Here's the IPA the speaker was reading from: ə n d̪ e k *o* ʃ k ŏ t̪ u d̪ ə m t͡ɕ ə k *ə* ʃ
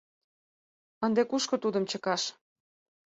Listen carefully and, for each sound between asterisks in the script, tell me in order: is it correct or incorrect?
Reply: incorrect: u, incorrect: ɑ

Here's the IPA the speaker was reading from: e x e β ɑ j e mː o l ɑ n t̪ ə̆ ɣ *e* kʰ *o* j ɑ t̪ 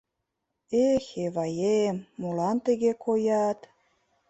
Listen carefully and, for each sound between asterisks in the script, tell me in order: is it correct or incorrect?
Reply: correct, correct

